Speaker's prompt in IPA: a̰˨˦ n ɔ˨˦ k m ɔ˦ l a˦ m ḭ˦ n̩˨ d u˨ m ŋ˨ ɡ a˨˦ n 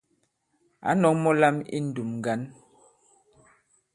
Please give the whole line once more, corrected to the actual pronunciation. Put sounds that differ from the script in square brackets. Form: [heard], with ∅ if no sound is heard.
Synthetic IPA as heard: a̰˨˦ n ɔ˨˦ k m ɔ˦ l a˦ m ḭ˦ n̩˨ d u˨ m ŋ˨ ɡ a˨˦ n